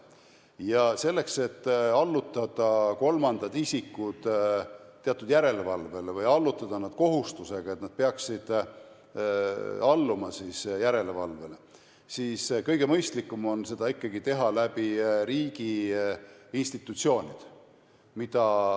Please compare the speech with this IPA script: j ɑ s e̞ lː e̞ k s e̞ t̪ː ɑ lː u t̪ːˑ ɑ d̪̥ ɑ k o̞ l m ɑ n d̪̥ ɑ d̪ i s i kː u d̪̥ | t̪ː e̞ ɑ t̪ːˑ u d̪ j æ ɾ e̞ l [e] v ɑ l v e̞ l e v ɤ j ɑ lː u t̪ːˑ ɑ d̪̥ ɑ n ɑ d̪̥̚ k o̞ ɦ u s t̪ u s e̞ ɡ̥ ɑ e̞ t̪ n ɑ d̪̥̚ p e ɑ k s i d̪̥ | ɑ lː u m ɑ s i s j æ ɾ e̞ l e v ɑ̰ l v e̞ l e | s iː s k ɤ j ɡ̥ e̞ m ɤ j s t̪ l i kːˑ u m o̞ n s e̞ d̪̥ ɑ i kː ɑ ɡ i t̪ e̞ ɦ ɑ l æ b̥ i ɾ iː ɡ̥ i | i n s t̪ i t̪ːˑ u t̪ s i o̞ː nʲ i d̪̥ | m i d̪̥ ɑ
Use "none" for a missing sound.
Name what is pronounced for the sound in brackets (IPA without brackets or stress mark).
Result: e